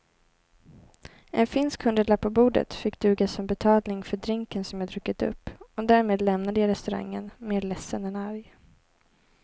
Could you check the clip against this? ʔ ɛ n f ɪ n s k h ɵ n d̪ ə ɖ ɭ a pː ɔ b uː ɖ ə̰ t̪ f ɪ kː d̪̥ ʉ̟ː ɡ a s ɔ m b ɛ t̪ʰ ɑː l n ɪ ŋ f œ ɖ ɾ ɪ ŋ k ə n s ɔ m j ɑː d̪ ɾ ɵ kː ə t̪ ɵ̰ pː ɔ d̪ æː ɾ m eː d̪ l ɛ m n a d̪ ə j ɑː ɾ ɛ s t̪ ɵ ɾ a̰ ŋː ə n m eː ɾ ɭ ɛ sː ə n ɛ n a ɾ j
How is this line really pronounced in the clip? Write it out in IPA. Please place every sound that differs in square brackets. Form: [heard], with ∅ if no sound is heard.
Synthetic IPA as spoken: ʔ ɛ n f ɪ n s k h ɵ n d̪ ə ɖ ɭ a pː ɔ b uː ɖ ə̰ t̪ f ɪ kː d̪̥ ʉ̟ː ɡ a s ɔ m b ɛ t̪ʰ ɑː l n ɪ ŋ f œ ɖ ɾ ɪ ŋ k ə n s ɔ m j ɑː d̪ ɾ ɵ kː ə t̪ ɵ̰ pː ɔ d̪ æː ɾ m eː d̪ l ɛ m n a d̪ ə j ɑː ɾ ɛ s t̪ ɵ ɾ a̰ ŋː ə n m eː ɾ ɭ ɛ sː ə n ɛ n a ɾ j